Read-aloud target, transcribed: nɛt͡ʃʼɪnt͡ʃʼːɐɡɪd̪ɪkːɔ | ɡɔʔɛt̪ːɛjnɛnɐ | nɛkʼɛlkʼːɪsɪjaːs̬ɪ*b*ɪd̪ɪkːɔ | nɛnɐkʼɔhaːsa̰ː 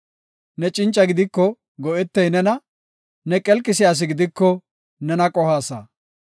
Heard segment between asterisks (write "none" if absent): ɡ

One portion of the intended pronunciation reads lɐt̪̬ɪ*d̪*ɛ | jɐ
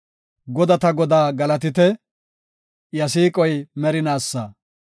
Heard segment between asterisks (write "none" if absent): t̪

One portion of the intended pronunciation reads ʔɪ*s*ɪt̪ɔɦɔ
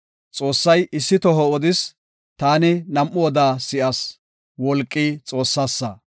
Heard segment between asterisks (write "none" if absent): sː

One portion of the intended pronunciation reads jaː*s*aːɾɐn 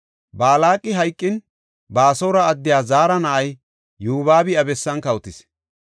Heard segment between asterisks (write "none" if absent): z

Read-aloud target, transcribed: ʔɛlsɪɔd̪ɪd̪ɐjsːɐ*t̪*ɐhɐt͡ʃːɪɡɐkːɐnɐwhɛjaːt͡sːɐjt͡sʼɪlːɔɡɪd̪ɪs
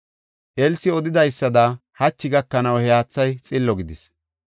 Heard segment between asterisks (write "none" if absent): d̪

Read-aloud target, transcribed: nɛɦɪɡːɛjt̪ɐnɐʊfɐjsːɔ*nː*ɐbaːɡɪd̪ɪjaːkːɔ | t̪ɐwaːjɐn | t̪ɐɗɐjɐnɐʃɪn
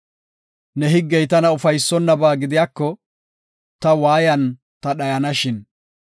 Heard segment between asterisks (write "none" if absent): nː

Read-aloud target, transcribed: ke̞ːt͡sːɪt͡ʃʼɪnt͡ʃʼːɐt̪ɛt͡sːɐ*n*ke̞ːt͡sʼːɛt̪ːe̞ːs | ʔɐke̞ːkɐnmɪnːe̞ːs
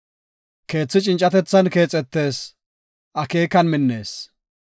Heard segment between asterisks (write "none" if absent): n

